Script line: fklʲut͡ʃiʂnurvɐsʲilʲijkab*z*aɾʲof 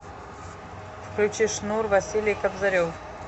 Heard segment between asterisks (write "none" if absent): z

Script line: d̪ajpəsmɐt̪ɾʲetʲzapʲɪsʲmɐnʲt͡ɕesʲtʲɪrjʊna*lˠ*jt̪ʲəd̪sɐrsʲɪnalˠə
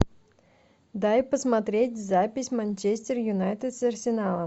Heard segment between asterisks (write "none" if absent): none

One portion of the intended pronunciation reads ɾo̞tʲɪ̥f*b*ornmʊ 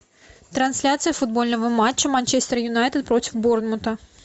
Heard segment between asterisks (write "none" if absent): b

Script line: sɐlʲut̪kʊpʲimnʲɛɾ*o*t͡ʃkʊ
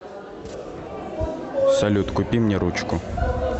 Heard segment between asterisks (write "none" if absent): u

